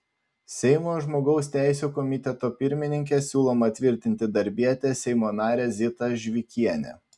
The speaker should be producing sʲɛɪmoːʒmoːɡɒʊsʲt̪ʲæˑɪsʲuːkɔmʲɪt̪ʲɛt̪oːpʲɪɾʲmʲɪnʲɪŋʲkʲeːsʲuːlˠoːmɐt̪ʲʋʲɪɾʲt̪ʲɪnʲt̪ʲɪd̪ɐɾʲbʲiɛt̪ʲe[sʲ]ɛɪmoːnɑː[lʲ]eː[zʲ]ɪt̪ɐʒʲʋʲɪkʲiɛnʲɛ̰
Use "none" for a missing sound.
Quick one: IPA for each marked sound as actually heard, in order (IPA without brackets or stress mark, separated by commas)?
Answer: sʲ, ɾʲ, zʲ